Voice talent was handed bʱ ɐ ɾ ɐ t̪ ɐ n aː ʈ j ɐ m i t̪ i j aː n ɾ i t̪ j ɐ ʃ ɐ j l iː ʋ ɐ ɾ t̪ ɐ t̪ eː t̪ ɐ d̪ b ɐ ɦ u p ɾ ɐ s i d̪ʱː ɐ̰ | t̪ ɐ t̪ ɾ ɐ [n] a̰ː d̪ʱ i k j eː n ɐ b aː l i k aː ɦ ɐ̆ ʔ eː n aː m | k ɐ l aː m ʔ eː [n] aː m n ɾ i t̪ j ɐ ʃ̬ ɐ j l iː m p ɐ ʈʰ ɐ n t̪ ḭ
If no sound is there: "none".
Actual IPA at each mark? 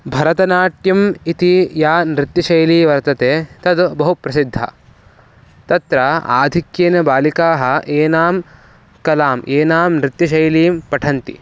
none, n

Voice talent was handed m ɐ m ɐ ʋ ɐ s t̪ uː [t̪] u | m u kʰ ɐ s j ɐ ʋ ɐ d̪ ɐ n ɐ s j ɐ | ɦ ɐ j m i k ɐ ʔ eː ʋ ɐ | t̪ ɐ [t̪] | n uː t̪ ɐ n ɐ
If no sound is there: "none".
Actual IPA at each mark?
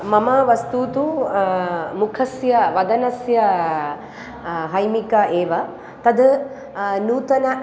t̪, d̪

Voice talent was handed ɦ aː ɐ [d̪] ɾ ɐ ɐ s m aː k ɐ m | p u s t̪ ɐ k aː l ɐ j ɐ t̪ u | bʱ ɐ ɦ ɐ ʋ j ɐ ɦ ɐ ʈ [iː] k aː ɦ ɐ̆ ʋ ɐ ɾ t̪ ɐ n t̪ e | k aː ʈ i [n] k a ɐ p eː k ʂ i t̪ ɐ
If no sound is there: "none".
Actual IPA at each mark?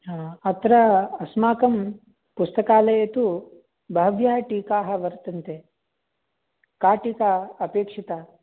t̪, iː, none

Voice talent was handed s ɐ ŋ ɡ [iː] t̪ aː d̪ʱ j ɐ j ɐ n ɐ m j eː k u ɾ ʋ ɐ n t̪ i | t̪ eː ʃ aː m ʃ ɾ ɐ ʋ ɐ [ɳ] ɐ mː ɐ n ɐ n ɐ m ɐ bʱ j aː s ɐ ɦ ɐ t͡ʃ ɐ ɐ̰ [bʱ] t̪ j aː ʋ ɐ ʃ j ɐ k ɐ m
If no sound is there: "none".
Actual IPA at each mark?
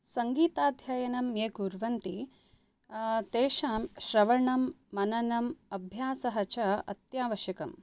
iː, ɳ, none

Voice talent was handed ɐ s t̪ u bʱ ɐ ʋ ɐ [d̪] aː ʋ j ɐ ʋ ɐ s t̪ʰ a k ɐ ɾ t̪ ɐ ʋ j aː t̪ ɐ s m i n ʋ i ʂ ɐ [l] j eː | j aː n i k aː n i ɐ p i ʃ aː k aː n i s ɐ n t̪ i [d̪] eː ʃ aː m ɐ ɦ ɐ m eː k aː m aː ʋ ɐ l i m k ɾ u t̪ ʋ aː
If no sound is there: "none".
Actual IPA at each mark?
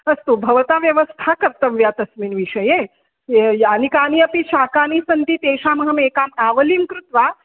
t̪, none, t̪

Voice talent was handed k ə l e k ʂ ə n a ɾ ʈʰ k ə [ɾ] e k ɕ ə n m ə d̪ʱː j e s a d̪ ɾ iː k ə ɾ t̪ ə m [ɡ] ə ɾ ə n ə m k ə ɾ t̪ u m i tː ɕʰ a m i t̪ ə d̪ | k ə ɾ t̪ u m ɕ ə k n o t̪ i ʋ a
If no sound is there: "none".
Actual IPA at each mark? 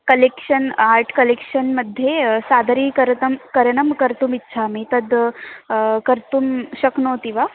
l, k

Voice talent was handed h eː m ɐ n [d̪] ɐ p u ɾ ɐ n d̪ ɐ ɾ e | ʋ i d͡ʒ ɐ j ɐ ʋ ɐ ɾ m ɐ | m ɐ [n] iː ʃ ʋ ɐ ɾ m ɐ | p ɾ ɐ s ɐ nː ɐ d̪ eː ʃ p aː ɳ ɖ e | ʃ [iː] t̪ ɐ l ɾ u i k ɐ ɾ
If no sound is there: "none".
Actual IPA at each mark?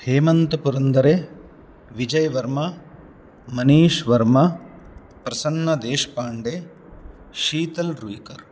t̪, n, iː

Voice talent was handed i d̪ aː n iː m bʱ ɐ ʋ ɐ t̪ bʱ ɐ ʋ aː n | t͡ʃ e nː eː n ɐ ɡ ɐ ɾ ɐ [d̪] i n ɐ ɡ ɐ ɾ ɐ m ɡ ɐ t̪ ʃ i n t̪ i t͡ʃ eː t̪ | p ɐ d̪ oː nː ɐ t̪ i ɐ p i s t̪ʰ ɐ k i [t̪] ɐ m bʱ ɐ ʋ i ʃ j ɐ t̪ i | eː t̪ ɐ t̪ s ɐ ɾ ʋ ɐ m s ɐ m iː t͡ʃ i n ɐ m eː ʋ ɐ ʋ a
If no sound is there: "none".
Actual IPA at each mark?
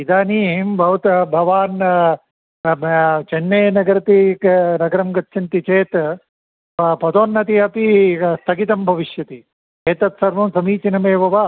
t̪, t̪

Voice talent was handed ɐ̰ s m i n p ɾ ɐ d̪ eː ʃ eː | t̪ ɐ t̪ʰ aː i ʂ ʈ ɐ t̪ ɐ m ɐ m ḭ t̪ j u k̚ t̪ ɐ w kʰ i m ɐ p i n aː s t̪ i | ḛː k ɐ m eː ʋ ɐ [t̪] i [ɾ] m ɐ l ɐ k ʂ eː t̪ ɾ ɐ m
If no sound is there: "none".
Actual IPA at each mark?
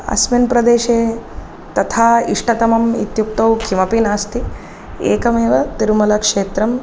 t̪, ɾ

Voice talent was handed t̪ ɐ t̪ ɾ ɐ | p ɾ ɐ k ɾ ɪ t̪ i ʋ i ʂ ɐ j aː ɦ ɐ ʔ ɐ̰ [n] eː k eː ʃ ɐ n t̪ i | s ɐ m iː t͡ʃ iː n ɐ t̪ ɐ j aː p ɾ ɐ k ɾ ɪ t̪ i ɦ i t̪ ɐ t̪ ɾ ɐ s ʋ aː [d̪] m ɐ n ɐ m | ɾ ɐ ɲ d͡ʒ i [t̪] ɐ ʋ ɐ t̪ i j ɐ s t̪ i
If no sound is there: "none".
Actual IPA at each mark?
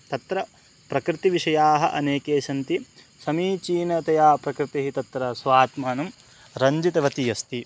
n, t̪, t̪

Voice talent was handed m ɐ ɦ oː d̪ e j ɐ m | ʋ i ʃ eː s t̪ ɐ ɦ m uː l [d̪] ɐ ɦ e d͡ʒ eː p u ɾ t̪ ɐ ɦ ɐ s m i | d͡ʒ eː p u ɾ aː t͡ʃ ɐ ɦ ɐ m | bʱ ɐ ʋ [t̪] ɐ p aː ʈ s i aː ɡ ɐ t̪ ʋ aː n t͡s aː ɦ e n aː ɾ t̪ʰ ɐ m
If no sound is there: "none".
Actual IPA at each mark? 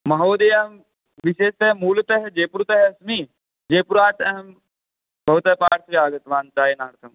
t̪, t̪

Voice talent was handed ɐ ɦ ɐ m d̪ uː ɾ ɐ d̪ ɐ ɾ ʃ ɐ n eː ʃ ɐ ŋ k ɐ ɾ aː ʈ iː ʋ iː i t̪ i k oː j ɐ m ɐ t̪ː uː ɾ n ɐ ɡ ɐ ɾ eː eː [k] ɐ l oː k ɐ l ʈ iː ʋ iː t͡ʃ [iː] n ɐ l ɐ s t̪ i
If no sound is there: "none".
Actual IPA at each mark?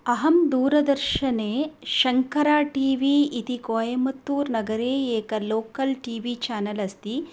k, aː

